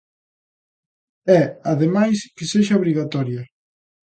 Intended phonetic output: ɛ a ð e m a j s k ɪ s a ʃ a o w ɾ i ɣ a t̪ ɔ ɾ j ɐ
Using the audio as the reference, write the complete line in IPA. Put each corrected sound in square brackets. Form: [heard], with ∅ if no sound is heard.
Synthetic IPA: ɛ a ð e m a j s k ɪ s [e] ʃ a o [β] ɾ i ɣ a t̪ ɔ ɾ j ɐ

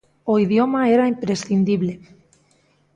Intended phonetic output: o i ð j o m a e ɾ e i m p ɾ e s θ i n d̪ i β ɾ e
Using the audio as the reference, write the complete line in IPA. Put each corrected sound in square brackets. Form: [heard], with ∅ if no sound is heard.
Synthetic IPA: o i ð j o m a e ɾ [a] i m p ɾ e s θ i n d̪ i β [l] e

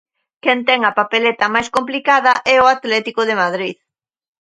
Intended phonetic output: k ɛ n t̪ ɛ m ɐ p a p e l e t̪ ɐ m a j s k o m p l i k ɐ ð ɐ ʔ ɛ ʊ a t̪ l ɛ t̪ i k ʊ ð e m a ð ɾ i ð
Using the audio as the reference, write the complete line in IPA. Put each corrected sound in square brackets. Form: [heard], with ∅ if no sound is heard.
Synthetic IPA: k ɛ n t̪ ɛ [ŋ] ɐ p a p e l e t̪ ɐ m a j s k o m p l i k [a] ð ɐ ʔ ɛ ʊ a t̪ l ɛ t̪ i k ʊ ð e m a ð ɾ i ð

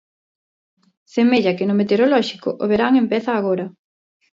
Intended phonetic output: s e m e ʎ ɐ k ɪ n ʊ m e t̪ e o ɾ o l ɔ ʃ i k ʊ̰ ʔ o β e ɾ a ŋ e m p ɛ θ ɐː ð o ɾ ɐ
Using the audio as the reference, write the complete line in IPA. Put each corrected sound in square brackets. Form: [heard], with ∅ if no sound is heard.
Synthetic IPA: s e m e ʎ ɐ k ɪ n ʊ m e t̪ e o ɾ o l ɔ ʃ i k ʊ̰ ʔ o β e ɾ a ŋ e m p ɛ θ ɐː [ɣ] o ɾ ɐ

